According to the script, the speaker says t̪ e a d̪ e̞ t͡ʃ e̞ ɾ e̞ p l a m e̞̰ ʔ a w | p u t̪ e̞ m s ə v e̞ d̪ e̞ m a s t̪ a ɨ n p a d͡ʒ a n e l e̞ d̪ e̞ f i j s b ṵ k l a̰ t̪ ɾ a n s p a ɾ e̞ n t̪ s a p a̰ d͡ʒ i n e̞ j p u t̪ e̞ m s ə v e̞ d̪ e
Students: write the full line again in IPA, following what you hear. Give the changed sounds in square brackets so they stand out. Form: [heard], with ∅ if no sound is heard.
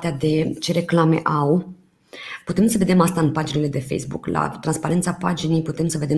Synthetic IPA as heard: t̪ e a d̪ e̞ t͡ʃ e̞ ɾ e̞ [k] l a m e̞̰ ʔ a w | p u t̪ e̞ m s ə v e̞ d̪ e̞ m a s t̪ a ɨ n p a d͡ʒ [i] n e l e̞ d̪ e̞ f [e] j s b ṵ k l a̰ t̪ ɾ a n s p a ɾ e̞ n t̪ s a p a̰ d͡ʒ i n e̞ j p u t̪ e̞ m s ə v e̞ d̪ e